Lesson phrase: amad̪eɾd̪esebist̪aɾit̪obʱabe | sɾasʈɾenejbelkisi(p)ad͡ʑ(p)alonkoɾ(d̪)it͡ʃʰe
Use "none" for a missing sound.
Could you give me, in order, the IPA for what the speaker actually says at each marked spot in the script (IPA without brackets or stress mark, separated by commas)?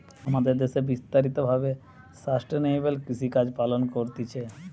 k, p, t̪